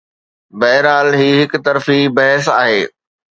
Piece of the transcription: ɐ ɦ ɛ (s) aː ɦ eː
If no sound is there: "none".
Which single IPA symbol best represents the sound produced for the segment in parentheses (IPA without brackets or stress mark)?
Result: s